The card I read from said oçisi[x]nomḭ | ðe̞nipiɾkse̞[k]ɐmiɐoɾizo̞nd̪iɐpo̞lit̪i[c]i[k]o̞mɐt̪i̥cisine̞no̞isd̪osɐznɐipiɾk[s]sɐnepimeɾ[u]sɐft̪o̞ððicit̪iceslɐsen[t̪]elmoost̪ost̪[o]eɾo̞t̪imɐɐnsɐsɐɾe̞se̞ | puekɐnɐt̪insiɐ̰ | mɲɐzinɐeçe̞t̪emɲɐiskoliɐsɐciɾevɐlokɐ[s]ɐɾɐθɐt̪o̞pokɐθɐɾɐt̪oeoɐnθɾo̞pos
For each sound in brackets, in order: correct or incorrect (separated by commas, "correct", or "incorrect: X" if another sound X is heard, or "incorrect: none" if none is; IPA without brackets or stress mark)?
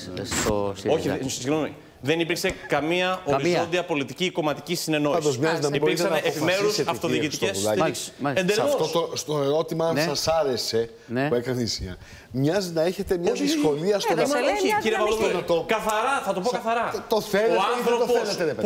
incorrect: ɣ, correct, correct, correct, correct, correct, incorrect: d̪, correct, incorrect: θ